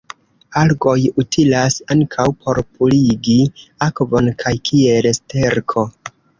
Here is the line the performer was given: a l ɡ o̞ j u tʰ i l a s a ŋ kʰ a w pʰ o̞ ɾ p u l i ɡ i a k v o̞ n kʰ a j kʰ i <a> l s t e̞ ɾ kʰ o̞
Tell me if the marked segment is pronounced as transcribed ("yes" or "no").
no